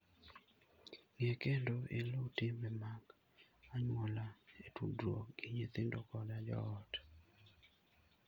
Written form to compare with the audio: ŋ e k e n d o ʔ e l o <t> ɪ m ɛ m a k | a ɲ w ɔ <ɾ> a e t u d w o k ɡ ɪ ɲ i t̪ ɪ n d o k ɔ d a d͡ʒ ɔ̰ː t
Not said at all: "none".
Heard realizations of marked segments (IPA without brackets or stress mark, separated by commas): t, l